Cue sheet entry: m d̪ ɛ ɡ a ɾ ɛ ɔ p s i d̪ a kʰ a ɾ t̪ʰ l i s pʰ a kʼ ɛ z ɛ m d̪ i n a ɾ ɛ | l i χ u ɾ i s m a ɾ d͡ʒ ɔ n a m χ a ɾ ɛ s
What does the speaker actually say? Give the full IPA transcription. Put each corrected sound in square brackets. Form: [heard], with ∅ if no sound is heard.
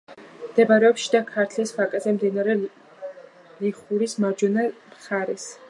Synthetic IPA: m d̪ ɛ [b] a ɾ ɛ ɔ p [ʃ] i d̪ a kʰ a ɾ t̪ʰ l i s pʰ a kʼ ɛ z ɛ m d̪ i n a ɾ ɛ | l i χ u ɾ i s m a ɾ d͡ʒ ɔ n a m χ a ɾ ɛ s